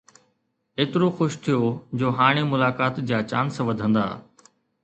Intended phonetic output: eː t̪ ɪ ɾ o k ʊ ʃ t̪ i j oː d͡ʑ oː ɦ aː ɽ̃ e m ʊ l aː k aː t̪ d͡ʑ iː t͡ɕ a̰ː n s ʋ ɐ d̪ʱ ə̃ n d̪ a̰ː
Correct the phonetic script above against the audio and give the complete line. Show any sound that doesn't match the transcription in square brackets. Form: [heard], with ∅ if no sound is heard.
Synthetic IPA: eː t̪ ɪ ɾ o [x] ʊ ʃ [t̪ʰ] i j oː d͡ʑ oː ɦ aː ɽ̃ e m ʊ l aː k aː t̪ d͡ʑ [aː] t͡ɕ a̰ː n s ʋ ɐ d̪ʱ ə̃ n d̪ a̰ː